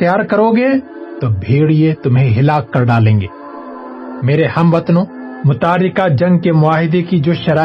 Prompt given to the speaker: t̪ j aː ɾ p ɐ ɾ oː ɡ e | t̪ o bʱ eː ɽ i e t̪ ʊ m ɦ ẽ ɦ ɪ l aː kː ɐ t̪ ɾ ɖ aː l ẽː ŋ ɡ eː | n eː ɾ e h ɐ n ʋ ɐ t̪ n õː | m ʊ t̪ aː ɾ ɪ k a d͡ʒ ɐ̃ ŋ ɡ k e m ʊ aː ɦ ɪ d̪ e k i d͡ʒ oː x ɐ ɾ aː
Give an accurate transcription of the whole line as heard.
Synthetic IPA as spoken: t̪ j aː ɾ k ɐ ɾ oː ɡ e | t̪ o bʱ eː ɽ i e t̪ ʊ m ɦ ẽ ɦ ɪ l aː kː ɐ ɾ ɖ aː l ẽː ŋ ɡ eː | m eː ɾ e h ɐ m ʋ ɐ t̪ n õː | m ʊ t̪ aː ɾ ɪ k a d͡ʒ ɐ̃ ŋ ɡ k e m ʊ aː ɦ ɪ d̪ e k i d͡ʒ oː ʃ ɐ ɾ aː